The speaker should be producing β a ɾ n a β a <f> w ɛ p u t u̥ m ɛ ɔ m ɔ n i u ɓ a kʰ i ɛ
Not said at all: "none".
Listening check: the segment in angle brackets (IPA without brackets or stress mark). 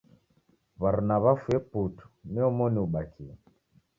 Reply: f